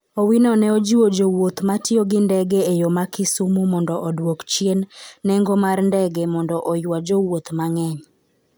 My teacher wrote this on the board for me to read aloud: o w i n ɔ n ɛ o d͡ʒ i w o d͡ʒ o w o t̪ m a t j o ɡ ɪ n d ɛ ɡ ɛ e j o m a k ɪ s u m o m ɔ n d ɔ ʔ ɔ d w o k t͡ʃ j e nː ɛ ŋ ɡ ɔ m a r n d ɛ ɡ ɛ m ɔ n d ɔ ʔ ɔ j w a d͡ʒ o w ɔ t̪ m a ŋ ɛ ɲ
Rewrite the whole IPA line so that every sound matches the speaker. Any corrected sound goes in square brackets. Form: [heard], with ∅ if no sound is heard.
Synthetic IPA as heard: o w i n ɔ n ɛ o d͡ʒ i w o d͡ʒ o w o t̪ m a t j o ɡ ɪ n d ɛ ɡ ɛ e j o m a k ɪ s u m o m ɔ n d ɔ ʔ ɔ d w o k t͡ʃ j e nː ɛ ŋ ɡ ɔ m a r n d ɛ ɡ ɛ m ɔ n d ɔ ʔ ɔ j w a d͡ʒ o w [o] t̪ m a ŋ ɛ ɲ